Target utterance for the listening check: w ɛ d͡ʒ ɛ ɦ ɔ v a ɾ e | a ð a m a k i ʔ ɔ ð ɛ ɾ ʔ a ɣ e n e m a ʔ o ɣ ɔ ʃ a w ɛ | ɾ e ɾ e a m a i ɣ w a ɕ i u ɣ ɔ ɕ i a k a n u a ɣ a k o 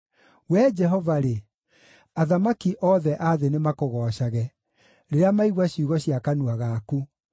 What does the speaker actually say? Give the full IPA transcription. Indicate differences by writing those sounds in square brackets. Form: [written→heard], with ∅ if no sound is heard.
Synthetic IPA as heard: w ɛ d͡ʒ ɛ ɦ ɔ v a ɾ e | a ð a m a k i ʔ ɔ ð ɛ [ɾ→∅] ʔ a [ɣ→ð] e n e m a [ʔ→k] o ɣ ɔ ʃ a [w→ɣ] ɛ | ɾ e ɾ e a m a i ɣ w a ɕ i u ɣ ɔ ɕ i a k a n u a ɣ a k [o→u]

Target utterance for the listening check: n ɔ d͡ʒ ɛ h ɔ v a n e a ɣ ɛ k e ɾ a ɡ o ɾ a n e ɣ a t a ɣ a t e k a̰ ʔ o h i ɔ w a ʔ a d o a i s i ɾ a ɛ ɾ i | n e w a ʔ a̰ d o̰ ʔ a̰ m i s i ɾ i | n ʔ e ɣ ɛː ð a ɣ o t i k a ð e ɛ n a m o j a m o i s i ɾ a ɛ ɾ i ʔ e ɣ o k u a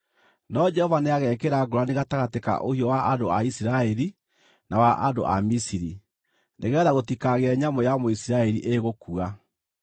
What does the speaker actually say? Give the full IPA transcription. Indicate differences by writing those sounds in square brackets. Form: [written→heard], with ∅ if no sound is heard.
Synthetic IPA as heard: n ɔ d͡ʒ ɛ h ɔ v a n e a ɣ ɛ k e ɾ a ɡ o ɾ a n e ɣ a t a ɣ a t e k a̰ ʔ o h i ɔ w a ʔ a d o a i s i ɾ a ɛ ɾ i | n [e→a] w a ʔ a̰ d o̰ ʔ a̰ m i s i ɾ i | n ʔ e ɣ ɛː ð a ɣ o t i k a [ð→ɣ] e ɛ [n→ɲ] a m o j a m o i s i ɾ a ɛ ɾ i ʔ e ɣ o k u a

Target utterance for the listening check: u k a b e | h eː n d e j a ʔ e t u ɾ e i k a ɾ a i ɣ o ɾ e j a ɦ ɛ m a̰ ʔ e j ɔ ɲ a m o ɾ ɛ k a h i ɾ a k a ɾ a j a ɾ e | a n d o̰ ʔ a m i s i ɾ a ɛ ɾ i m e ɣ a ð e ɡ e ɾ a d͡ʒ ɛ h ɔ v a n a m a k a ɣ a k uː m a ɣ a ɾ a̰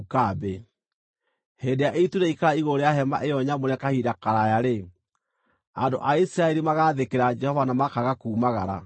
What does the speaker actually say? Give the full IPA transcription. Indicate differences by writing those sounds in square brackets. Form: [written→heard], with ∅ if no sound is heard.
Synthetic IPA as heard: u k a b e | h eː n d e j a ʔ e t u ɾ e i k a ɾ a i ɣ o ɾ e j a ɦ ɛ m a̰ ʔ e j ɔ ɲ a m o ɾ ɛ k a h i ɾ a k a ɾ a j a ɾ e | a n d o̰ ʔ a [m→∅] i s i ɾ a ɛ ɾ i m [e→a] ɣ a ð e [ɡ→k] e ɾ a d͡ʒ ɛ h ɔ v a n a m a k a ɣ a k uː m a ɣ a ɾ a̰

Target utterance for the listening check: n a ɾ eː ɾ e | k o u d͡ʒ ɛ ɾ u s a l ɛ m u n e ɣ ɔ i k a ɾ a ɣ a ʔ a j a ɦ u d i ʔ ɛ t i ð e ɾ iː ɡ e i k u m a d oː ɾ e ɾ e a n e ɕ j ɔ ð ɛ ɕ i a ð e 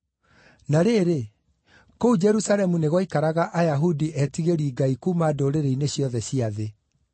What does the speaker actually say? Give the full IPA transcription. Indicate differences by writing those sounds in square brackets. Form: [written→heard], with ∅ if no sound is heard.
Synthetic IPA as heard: n a ɾ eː ɾ e | k o u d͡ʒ ɛ ɾ u s a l ɛ m u n e ɣ ɔ i k a ɾ a ɣ a ʔ a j a ɦ u d i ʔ ɛ t i [ð→ɣ] e ɾ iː ɡ [e→a] i k u m a d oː ɾ e ɾ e [a→i] n e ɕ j ɔ ð ɛ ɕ i a ð e

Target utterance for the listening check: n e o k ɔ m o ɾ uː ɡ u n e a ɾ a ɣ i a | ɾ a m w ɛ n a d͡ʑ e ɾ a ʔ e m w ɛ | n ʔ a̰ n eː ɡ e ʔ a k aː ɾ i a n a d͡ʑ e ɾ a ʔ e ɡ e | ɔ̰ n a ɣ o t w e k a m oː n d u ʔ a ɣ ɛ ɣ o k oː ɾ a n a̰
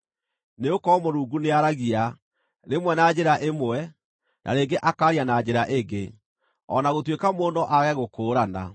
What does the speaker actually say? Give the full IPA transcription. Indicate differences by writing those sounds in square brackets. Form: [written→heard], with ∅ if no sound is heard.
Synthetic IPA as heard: n e o k ɔ m o ɾ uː ɡ u n e a ɾ a ɣ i a | ɾ [a→e] m w ɛ n a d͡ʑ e ɾ a ʔ e m w ɛ | n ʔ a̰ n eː ɡ e ʔ a k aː ɾ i a n a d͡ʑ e ɾ a ʔ e ɡ e | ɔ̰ n a ɣ o t w e k a m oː n d [u→ɔ] ʔ a ɣ ɛ ɣ o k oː ɾ a n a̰

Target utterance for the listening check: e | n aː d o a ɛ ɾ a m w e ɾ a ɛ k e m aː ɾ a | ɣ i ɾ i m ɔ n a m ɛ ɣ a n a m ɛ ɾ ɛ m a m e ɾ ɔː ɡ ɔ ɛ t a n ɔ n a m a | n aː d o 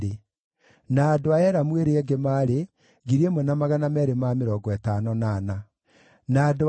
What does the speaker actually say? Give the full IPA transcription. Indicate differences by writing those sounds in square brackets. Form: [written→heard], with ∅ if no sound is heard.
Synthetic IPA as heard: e | n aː d o a ɛ ɾ a m w e ɾ [a→e] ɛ [k→ɡ] e m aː ɾ [a→e] | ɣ i ɾ [i→e] m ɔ n a m [ɛ→a] ɣ a n a m ɛ ɾ [ɛ→e] m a m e ɾ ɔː ɡ ɔ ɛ t a n ɔ n a [m→n] a | n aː d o

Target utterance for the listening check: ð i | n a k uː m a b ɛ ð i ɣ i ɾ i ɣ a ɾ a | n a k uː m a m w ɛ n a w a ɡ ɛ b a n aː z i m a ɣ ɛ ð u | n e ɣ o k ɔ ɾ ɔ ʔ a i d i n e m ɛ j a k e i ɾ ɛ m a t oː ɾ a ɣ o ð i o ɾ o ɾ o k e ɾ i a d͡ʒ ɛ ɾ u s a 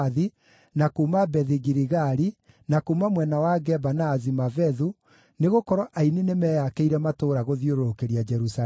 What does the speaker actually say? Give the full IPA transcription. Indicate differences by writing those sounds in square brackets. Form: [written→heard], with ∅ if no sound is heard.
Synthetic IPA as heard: ð i | n a k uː m a b ɛ ð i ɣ i ɾ i ɣ a ɾ [a→i] | n a k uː m a m w ɛ n a w a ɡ ɛ b a n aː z i m a [ɣ→v] ɛ ð u | n e ɣ o k ɔ ɾ ɔ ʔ a i [d→n] i n e m ɛ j a k e i ɾ ɛ m a t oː ɾ a ɣ o ð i o ɾ o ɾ o k e ɾ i a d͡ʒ ɛ ɾ u s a

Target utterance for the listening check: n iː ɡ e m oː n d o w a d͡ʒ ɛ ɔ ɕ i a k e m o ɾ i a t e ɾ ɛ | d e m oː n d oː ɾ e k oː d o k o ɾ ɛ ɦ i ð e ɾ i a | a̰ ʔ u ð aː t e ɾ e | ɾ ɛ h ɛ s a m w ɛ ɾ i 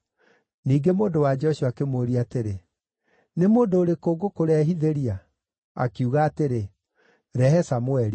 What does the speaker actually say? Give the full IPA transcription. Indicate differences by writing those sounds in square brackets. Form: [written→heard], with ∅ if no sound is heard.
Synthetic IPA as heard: n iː ɡ e m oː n d o w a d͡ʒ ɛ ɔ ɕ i a k e m o ɾ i a t e ɾ [ɛ→e] | [d→n] e m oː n d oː ɾ e k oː [d→ɡ] o k o ɾ ɛ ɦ i ð e ɾ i a | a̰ [ʔ→k] u [ð→ɣ] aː t e ɾ e | ɾ ɛ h ɛ s a m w ɛ ɾ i

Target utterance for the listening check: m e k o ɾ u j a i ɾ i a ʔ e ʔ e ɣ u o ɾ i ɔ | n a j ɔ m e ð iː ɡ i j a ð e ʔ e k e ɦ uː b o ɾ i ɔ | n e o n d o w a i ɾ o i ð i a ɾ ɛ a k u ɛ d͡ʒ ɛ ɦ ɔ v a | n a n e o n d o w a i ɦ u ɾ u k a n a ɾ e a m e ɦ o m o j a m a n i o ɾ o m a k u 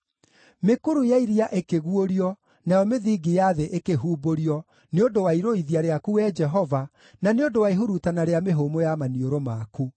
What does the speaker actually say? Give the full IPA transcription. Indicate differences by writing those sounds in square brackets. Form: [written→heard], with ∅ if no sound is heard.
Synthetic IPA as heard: m e k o ɾ u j a i ɾ i a ʔ e [ʔ→k] e ɣ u o ɾ i ɔ | n a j ɔ m e ð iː ɡ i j a ð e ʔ e k e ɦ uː b o ɾ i ɔ | n e o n d o w a i ɾ o i ð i a ɾ [ɛ→e] a k u ɛ d͡ʒ ɛ ɦ ɔ v a | n a n e o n d o w a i ɦ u ɾ u [k→t] a n a ɾ e a m e ɦ o m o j a m a n i o ɾ o m a k u

